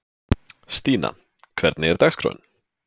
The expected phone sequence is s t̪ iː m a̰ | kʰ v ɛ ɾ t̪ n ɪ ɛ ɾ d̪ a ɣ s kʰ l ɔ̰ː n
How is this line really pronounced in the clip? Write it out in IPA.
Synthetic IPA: s t̪ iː n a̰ | kʰ v ɛ ɾ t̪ n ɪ ɛ ɾ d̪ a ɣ s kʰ ɾ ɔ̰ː n